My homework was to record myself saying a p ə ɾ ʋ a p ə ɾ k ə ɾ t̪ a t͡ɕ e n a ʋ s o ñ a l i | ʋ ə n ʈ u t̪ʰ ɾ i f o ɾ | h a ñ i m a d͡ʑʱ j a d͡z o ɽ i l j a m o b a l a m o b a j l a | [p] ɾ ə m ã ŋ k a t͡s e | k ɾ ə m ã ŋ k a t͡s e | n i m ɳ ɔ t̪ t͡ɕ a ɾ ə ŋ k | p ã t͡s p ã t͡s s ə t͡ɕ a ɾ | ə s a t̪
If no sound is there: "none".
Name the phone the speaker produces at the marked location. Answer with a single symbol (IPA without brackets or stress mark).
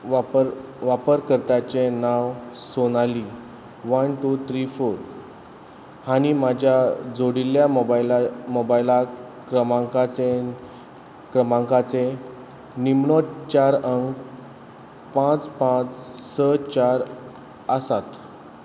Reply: k